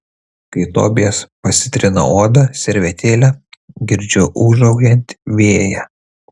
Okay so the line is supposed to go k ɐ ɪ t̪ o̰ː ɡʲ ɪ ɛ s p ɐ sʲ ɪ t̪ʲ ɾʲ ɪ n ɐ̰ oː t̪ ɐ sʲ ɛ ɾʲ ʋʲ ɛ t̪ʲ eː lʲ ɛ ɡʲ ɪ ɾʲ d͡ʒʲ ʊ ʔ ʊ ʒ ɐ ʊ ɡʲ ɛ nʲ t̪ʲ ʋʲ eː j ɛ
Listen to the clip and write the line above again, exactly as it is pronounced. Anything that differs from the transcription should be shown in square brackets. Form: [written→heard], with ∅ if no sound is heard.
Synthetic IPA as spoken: k ɐ ɪ t̪ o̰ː [ɡʲ→bʲ] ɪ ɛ s p ɐ sʲ ɪ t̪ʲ ɾʲ ɪ n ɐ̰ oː [t̪→d̪] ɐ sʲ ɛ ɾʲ ʋʲ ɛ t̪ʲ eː lʲ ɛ ɡʲ ɪ ɾʲ d͡ʒʲ ʊ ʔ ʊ ʒ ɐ ʊ ɡʲ ɛ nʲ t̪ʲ ʋʲ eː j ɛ